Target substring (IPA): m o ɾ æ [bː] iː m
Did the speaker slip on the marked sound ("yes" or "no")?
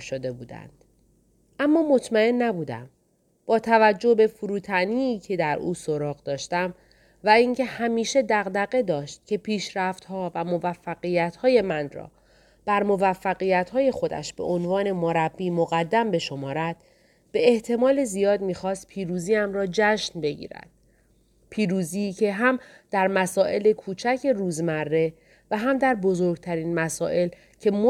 no